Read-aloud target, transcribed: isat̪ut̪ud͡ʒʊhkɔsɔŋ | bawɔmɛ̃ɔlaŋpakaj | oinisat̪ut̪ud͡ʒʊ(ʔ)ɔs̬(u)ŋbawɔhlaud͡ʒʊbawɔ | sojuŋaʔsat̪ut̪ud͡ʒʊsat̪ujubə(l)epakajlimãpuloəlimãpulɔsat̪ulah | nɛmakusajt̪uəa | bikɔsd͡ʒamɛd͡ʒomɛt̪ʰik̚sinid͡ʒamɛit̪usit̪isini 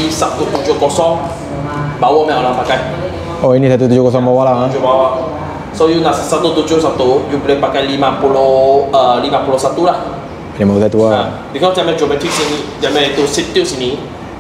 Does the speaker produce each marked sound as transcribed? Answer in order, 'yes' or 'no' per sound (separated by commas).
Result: no, no, yes